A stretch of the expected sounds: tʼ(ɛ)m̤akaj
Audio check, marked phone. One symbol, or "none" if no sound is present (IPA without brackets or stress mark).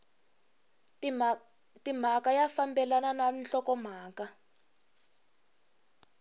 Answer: i